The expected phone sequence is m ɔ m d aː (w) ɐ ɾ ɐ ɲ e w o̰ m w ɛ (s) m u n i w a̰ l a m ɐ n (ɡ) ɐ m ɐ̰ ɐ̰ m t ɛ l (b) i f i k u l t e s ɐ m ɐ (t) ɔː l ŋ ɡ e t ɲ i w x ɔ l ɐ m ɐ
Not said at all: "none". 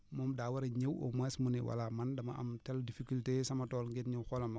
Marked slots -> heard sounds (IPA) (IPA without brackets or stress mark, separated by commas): w, s, d, d, t